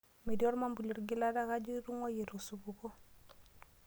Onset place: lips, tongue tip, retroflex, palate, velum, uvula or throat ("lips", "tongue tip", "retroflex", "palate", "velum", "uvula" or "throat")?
lips